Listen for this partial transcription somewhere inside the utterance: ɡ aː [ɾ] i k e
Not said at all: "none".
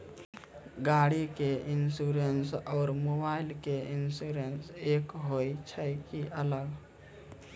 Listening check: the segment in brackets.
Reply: ɽ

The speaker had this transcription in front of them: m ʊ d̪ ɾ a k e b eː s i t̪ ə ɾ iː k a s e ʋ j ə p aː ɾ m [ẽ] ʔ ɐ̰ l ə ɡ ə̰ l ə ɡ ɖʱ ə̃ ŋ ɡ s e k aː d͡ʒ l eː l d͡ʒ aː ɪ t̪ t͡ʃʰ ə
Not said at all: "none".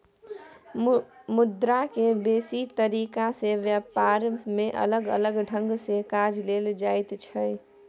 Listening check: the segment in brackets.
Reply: ẽ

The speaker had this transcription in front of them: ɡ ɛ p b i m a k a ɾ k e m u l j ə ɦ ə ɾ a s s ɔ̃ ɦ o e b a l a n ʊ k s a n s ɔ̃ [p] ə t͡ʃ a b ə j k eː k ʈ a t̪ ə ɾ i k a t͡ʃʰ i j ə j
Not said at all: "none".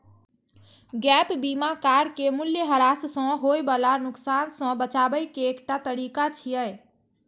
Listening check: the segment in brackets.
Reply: b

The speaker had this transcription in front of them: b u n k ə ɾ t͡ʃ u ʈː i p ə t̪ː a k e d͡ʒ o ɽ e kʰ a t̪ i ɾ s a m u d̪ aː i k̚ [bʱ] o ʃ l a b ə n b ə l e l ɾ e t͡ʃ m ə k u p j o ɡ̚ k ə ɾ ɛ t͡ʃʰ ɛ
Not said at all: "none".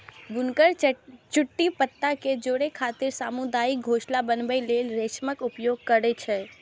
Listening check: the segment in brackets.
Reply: ɡʱ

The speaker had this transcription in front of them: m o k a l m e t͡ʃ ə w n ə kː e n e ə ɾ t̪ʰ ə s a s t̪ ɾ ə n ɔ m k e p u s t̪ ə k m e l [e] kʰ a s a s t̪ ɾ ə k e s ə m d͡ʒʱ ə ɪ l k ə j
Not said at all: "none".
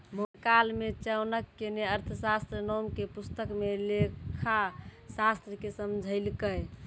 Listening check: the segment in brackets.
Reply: e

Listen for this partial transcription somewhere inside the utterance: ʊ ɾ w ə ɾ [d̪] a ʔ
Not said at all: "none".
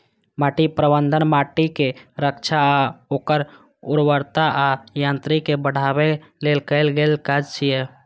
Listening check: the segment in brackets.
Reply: t̪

